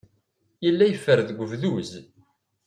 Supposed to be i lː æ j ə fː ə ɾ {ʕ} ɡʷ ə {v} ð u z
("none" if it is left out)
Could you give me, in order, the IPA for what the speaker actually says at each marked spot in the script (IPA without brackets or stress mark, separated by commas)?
ð, v